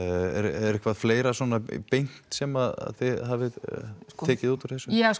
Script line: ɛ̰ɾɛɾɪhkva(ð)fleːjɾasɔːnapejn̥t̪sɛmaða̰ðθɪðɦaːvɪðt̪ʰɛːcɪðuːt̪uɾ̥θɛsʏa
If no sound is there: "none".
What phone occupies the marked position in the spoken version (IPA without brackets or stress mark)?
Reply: ð